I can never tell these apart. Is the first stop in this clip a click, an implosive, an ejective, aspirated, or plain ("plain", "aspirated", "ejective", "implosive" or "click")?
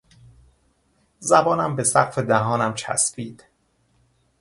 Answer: plain